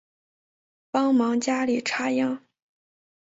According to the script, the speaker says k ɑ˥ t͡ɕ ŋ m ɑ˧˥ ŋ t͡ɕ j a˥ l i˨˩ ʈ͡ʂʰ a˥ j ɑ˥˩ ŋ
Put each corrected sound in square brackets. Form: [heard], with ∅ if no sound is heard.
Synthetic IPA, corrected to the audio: [p] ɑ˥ [∅] ŋ m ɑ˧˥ ŋ t͡ɕ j a˥ l i˨˩ ʈ͡ʂʰ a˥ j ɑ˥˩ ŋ